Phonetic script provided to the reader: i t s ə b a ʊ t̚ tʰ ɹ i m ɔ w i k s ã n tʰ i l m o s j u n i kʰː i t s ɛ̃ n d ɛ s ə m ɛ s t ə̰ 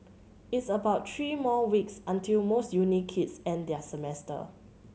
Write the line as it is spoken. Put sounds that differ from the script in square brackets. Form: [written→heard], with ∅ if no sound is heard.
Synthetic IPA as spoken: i t s ə b a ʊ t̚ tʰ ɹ i m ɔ w i k s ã n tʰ i l m o s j u n i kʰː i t s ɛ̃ n d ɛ s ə m ɛ s t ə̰

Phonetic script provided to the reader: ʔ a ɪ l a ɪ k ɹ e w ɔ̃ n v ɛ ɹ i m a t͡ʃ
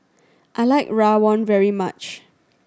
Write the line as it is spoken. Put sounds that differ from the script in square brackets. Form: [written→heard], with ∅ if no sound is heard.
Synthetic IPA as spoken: ʔ a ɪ l a ɪ k ɹ [e→a] w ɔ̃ n v ɛ ɹ i m a t͡ʃ

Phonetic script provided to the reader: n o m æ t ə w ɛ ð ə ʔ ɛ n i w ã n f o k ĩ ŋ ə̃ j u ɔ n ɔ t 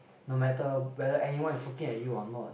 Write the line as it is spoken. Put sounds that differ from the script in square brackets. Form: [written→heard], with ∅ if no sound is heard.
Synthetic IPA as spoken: n o m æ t ə w ɛ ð ə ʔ ɛ n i w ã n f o k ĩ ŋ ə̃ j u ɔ n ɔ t

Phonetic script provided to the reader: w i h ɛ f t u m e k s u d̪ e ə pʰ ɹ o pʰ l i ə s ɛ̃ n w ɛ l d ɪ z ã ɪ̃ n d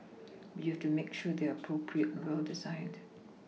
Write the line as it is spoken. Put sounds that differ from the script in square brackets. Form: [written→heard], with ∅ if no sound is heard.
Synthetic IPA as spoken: w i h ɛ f t u m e k [s→ʃ] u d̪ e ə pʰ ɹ o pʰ [l→ɹ] i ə [s→t] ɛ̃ n w ɛ l d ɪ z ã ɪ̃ n d

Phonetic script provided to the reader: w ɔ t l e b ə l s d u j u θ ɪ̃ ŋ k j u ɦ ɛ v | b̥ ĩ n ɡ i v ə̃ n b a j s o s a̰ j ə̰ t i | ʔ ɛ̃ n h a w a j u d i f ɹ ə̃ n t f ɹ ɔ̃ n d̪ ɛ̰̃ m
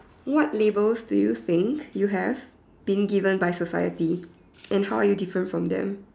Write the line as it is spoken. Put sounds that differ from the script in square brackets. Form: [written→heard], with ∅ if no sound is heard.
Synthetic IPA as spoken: w ɔ t l e b ə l s d u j u θ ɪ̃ ŋ k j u ɦ ɛ v | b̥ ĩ n ɡ i v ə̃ n b a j s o s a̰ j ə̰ t i | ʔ ɛ̃ n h a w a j u d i f ɹ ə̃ n t f ɹ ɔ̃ [n→m] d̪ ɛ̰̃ m

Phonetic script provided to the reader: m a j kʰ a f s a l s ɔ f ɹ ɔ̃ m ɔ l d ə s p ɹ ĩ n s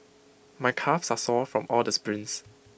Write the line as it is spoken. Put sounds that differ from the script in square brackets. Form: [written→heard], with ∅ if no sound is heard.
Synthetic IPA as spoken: m a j kʰ a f s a [l→∅] s ɔ f ɹ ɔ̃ m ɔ l d ə s p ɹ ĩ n s

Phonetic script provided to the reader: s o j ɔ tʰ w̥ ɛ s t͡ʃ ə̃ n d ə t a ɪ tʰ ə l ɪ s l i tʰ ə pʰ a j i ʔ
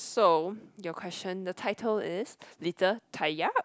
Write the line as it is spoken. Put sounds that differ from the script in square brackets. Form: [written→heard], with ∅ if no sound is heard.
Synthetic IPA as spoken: s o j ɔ [tʰ→kʰ] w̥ ɛ s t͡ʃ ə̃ n d ə [t→tʰ] a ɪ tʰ ə l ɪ s l i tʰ ə [pʰ→tʰ] a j [i→a] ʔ

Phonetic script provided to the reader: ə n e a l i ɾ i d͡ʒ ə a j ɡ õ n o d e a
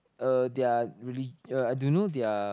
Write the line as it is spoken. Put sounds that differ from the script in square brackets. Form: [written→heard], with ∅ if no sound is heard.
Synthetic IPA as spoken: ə [n→d] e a [l→ɹ] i [ɾ→l] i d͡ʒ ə a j [ɡ→d] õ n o d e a

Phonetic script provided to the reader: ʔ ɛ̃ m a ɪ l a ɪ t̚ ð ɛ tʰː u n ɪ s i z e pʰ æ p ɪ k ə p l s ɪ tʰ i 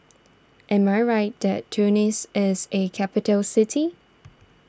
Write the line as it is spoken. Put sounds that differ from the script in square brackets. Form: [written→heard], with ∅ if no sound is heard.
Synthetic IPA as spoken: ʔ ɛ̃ m a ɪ [l→ɹ] a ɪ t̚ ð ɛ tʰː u n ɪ s [i→ɪ] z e [pʰ→kʰ] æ p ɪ [k→t] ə [p→∅] l s ɪ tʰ i

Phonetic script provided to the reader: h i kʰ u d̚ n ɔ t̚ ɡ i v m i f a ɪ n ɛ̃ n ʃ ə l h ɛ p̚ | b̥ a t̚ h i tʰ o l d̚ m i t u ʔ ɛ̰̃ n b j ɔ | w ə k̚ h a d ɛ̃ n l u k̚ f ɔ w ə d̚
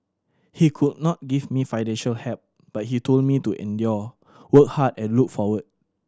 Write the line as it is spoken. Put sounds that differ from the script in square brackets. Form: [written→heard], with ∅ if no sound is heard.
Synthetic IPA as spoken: h i kʰ u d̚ n ɔ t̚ ɡ i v m i f a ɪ n ɛ̃ n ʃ ə l h ɛ p̚ | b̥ a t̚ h i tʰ o l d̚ m i t u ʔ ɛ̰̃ n [b→d] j ɔ | w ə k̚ h a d ɛ̃ n l u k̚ f ɔ w ə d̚

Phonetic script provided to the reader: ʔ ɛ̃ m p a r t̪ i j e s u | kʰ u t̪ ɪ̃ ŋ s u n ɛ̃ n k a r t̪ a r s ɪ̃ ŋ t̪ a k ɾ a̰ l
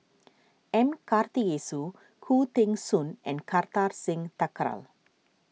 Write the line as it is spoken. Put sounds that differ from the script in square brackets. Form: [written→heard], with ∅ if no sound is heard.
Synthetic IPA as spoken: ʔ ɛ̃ m [p→k] a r t̪ i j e s u | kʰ u t̪ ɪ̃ ŋ s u n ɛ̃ n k a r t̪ a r s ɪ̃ ŋ t̪ a k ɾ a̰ l

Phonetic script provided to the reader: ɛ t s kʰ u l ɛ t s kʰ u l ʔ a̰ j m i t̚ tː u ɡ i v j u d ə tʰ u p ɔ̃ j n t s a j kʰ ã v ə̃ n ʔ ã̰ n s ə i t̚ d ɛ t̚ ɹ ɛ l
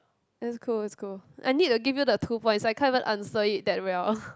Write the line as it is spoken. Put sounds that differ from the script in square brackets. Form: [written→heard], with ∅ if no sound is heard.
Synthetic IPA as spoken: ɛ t s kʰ u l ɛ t s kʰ u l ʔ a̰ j [m→n] i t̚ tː u ɡ i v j u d ə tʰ u p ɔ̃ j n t s a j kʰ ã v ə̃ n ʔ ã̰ n s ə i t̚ d ɛ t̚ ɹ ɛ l

